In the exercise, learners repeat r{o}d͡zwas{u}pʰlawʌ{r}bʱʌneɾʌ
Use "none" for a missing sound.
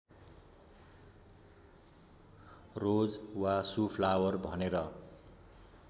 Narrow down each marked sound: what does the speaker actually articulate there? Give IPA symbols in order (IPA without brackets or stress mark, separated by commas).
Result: o, u, r